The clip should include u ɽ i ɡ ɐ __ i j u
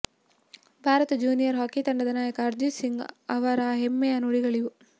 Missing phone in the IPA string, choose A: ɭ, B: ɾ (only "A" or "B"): A